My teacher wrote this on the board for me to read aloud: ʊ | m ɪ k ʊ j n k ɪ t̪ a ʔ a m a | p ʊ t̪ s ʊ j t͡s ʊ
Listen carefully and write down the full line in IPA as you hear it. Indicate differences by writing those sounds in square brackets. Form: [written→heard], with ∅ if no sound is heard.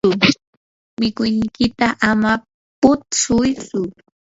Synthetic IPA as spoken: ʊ | m ɪ k ʊ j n k ɪ t̪ a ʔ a m a | p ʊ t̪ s ʊ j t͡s ʊ